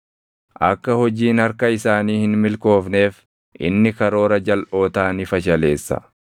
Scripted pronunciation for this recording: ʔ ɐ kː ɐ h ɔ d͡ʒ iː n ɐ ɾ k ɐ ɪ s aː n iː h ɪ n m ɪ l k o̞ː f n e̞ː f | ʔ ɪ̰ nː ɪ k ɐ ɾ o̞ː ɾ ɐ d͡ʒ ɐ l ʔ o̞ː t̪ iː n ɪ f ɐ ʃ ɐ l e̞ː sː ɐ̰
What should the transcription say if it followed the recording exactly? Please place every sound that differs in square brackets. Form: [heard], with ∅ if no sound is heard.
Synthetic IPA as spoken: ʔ ɐ kː ɐ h ɔ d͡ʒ iː n ɐ ɾ k ɐ ɪ s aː n iː h ɪ n m ɪ l k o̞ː f n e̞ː f | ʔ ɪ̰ nː ɪ k ɐ ɾ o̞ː ɾ ɐ d͡ʒ ɐ l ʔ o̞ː t̪ [aː] n ɪ f ɐ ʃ ɐ l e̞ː sː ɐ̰